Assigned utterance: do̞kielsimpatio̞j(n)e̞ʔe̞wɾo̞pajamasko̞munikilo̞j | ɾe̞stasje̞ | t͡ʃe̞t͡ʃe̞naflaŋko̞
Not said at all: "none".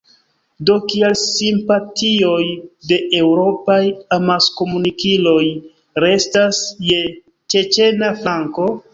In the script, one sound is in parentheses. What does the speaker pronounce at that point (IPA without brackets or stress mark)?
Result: d